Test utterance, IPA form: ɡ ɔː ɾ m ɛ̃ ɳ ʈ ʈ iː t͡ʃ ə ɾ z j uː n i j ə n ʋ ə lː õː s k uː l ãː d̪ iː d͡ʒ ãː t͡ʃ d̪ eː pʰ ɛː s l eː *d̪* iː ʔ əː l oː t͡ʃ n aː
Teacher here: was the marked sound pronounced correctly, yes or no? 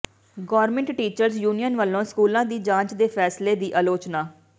yes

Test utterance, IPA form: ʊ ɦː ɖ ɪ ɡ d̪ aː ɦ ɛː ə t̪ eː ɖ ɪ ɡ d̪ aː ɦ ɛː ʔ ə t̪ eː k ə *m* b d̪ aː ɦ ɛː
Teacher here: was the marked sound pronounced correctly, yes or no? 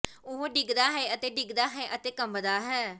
yes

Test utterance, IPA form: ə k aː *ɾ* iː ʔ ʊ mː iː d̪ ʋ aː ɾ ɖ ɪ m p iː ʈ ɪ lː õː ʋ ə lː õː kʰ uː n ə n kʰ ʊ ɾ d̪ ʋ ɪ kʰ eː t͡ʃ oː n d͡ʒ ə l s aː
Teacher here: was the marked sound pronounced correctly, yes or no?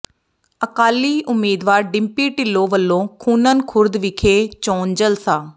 no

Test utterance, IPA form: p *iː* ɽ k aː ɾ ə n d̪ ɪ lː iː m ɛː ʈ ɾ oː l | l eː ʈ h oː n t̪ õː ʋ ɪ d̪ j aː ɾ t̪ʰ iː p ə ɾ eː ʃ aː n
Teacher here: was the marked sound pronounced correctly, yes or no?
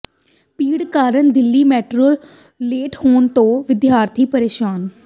yes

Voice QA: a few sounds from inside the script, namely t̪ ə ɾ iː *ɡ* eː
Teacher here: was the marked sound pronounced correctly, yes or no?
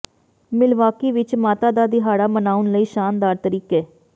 no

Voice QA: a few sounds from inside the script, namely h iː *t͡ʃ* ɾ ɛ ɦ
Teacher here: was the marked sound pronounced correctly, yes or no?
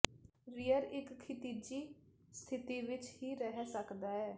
no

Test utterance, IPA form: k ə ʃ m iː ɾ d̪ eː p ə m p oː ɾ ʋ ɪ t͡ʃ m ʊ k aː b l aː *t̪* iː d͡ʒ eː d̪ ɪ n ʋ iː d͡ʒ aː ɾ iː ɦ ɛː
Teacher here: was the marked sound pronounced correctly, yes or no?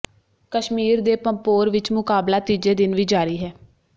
yes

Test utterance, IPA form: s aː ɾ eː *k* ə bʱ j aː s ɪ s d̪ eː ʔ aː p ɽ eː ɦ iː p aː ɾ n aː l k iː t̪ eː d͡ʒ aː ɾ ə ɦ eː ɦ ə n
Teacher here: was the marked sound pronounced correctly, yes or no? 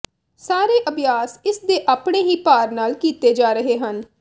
no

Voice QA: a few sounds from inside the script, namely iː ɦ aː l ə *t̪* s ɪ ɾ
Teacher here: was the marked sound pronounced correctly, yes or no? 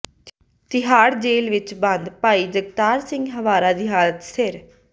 yes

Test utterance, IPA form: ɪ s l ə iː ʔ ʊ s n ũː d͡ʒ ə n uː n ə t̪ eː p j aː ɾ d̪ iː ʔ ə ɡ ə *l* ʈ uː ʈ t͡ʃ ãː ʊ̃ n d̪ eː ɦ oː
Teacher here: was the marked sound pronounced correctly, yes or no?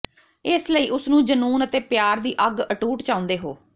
no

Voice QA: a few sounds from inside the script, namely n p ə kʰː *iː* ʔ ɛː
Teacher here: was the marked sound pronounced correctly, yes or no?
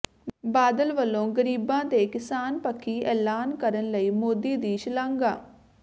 yes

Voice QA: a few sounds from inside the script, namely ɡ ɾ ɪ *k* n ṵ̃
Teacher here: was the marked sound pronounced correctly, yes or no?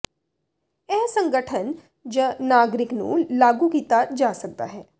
yes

